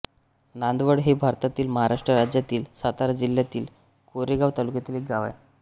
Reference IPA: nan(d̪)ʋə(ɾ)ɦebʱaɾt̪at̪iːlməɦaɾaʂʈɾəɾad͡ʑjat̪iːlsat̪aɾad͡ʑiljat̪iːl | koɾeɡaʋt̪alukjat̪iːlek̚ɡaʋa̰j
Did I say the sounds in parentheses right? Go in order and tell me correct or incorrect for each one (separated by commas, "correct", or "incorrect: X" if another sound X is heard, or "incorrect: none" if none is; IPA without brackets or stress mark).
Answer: correct, incorrect: ɽ